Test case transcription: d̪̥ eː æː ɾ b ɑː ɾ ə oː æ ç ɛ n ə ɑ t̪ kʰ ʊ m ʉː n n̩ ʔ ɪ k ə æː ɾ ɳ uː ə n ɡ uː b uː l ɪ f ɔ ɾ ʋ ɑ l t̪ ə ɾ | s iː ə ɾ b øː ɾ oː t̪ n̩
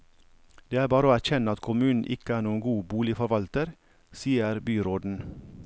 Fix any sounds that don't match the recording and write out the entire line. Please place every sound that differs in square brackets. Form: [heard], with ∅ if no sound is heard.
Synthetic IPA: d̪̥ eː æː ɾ b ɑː ɾ ə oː æ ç ɛ n ə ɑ t̪ kʰ ʊ m ʉː n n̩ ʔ ɪ k ə æː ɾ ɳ uː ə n ɡ uː b uː l ɪ f ɔ ɾ ʋ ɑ l t̪ ə ɾ | s iː ə ɾ b [yː] ɾ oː [d̪] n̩

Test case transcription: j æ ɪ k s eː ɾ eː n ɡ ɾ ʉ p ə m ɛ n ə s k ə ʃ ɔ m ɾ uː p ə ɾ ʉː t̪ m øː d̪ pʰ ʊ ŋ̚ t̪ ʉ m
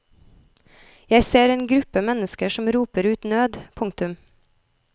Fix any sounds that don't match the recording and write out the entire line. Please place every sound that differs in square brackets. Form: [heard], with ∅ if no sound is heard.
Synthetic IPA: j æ ɪ [∅] s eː ɾ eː n ɡ ɾ ʉ p ə m ɛ n ə s k ə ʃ ɔ m ɾ uː p ə ɾ ʉː t̪ [n] øː d̪ pʰ ʊ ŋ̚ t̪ ʉ m

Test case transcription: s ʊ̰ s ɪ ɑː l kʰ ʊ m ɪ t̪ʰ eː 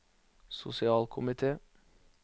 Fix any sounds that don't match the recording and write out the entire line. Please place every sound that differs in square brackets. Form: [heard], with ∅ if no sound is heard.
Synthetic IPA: s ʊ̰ s ɪ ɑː l kʰ ʊ m ɪ t̪ʰ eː

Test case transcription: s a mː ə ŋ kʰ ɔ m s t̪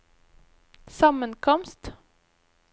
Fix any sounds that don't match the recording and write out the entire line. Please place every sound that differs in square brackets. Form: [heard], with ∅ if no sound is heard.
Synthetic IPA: s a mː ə [n] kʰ ɔ m s t̪

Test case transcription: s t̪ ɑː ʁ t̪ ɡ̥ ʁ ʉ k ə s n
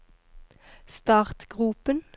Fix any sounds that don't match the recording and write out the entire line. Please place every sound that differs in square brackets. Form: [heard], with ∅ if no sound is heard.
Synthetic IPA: s t̪ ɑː ʁ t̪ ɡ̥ ʁ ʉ [p] ə [∅] n

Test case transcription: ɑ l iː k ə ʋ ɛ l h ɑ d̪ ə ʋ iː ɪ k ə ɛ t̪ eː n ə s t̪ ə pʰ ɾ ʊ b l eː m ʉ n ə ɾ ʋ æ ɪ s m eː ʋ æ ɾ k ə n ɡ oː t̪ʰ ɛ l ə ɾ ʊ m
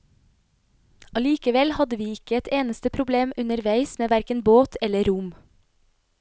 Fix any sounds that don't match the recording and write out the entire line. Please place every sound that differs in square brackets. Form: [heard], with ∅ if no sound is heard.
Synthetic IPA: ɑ l iː k ə ʋ ɛ l h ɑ d̪ ə ʋ iː ɪ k ə ɛ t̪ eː n ə s t̪ ə pʰ ɾ ʊ b l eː m ʉ n ə ɾ ʋ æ ɪ s m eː ʋ æ ɾ k ə n [b] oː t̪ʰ ɛ l ə ɾ ʊ m

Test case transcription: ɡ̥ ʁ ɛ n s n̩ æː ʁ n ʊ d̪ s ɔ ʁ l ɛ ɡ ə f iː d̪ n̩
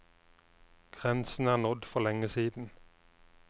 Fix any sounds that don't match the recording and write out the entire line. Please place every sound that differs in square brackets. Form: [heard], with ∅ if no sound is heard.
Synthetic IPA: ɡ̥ ʁ ɛ n s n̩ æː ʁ n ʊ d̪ [f] ɔ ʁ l ɛ [ŋ] ə [s] iː d̪ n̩

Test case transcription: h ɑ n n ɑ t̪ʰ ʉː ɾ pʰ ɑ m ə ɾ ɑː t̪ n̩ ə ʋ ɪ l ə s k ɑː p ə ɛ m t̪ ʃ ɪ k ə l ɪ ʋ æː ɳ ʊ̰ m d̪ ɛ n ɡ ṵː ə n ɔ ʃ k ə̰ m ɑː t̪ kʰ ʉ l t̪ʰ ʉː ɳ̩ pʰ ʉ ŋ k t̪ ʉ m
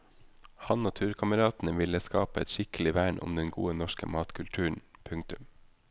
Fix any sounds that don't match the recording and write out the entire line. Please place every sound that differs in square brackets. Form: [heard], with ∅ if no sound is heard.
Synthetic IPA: h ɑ n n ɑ t̪ʰ ʉː ɾ [kʰ] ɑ m ə ɾ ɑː t̪ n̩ ə ʋ ɪ l ə s k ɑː p ə ɛ [∅] t̪ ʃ ɪ k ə l ɪ ʋ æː ɳ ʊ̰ m d̪ ɛ n ɡ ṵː ə n ɔ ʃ k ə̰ m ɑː t̪ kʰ ʉ l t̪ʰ ʉː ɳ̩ pʰ ʉ ŋ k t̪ ʉ m

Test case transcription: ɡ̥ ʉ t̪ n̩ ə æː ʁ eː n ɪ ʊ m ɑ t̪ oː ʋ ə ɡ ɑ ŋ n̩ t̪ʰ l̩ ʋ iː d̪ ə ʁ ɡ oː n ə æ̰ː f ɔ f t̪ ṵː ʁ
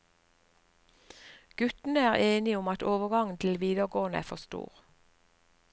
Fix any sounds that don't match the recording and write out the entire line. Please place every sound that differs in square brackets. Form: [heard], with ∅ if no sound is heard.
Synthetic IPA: ɡ̥ ʉ t̪ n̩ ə æː ʁ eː n ɪ ʊ m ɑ t̪ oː ʋ ə ɡ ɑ ŋ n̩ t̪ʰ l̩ ʋ iː d̪ ə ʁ ɡ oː n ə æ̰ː f ɔ [s] t̪ ṵː ʁ

